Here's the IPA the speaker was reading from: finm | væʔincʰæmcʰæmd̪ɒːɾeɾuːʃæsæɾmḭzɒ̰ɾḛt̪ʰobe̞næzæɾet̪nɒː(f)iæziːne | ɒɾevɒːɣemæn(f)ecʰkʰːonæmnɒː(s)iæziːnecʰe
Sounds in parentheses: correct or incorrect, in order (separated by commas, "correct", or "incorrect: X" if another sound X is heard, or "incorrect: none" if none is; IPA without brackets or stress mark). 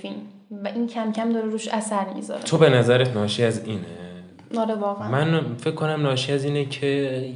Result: incorrect: ʃ, correct, incorrect: ʃ